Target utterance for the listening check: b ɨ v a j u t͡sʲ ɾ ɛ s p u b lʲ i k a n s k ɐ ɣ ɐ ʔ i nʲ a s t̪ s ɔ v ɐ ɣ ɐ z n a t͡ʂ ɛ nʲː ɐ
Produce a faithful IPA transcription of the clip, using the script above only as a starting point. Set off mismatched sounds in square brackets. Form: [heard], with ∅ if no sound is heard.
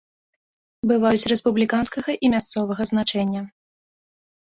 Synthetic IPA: b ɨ v a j u t͡sʲ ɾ ɛ s p u b lʲ i k a n s k ɐ ɣ ɐ ʔ i [mʲ] a s t̪ s ɔ v ɐ ɣ ɐ z n a t͡ʂ ɛ nʲː ɐ